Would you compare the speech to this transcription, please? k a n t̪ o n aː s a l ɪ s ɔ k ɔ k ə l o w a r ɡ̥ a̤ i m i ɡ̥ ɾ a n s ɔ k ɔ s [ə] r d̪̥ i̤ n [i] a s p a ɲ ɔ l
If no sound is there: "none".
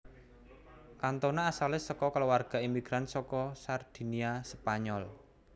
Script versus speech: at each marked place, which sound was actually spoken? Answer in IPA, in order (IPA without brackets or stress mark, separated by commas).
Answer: a, i